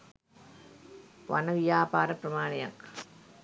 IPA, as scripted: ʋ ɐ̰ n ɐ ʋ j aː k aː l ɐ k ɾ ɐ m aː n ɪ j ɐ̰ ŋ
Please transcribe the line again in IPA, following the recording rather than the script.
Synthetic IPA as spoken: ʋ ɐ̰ n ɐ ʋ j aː p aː ɾ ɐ p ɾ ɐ m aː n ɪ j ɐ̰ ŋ